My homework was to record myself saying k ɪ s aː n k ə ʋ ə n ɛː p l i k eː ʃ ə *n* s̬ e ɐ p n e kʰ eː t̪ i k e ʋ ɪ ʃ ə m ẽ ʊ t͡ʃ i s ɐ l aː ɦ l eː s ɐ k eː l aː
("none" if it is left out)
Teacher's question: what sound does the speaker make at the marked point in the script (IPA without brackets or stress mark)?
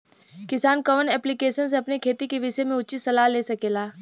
n